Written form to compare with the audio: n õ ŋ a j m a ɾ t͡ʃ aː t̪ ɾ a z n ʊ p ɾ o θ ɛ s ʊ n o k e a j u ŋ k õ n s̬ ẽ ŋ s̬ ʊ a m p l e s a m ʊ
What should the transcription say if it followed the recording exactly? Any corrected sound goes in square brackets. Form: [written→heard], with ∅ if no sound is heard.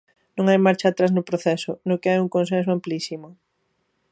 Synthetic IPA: n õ ŋ a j m a ɾ t͡ʃ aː t̪ ɾ a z n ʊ p ɾ o θ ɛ s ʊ n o k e a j u ŋ k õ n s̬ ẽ [ŋ→n] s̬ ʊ a m p l [e→i] s [a→i] m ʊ